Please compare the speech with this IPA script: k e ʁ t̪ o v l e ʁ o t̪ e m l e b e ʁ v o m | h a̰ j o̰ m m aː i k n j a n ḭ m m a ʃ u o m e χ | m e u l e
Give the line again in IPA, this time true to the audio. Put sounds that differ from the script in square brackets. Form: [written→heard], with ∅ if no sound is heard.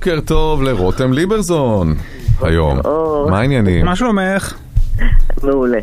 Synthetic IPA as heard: k e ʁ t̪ o v l e ʁ o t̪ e m l [e→i] b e ʁ [v→z] o [m→n] | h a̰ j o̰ m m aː i [k→∅] n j a n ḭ m m a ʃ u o m e χ | m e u l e